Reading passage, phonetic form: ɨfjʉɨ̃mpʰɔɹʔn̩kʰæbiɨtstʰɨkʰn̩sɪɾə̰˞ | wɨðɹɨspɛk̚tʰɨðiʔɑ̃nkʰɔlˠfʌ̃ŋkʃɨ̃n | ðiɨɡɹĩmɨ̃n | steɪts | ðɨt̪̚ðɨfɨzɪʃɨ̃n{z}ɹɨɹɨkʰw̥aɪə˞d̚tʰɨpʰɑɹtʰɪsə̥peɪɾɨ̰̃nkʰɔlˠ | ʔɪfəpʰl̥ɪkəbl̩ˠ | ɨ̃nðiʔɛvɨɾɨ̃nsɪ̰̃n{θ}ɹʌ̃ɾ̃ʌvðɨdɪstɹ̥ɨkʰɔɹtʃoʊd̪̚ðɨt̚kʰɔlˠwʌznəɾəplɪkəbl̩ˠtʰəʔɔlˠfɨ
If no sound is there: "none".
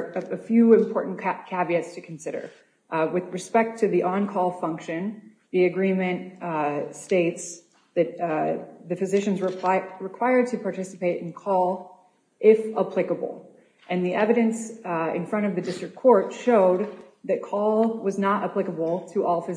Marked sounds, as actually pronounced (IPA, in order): z, f

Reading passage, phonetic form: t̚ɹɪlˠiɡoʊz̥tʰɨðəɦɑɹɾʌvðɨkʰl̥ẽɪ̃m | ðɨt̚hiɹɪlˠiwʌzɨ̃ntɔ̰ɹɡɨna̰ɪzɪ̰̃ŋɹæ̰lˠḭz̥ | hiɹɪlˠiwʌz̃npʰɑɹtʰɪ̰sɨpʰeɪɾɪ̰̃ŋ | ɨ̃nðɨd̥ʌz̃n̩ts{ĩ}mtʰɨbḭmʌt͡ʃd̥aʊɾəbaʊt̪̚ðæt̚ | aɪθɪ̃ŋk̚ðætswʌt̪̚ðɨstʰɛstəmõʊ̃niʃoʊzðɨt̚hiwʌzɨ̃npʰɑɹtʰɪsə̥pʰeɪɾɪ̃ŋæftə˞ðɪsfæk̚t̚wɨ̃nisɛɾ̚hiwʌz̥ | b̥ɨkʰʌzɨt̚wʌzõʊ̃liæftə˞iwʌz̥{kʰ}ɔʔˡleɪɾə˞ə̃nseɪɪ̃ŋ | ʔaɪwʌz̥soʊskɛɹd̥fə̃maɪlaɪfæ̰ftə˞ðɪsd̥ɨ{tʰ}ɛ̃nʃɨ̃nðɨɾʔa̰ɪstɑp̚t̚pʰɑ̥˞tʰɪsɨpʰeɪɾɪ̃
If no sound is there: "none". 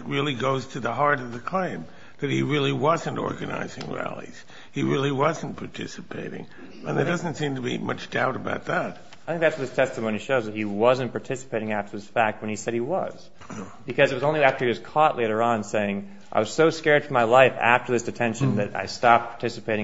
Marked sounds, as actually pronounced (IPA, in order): ĩ, kʰ, tʰ

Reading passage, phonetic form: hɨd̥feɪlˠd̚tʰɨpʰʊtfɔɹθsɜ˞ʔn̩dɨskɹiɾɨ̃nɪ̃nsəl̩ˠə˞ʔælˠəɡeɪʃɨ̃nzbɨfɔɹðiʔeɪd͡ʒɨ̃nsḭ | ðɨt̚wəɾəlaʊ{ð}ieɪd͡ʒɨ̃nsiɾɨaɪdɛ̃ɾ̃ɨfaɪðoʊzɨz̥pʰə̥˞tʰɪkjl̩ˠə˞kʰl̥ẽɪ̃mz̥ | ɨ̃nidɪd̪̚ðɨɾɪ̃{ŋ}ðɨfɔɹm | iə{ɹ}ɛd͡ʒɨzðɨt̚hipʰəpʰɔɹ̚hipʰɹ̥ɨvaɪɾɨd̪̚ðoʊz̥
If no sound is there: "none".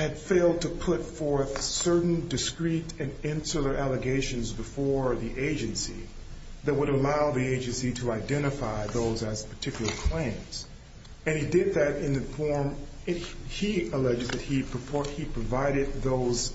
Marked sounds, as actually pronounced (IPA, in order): ð, n, l

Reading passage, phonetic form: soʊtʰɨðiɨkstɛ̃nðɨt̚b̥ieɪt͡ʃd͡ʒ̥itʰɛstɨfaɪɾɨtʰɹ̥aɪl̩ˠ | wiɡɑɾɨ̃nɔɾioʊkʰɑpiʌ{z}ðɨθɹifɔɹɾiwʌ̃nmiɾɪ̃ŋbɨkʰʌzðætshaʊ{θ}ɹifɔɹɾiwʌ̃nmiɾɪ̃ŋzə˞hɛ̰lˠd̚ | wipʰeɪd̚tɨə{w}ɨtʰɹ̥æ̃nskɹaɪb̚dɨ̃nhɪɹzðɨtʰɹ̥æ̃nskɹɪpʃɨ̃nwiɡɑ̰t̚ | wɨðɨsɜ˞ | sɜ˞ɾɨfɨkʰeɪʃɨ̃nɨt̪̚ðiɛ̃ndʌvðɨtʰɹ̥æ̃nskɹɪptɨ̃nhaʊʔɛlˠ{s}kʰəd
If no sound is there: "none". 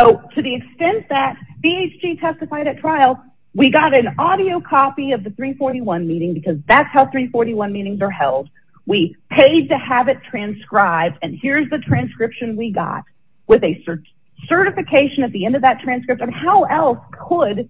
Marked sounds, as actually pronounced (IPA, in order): v, θ, v, s

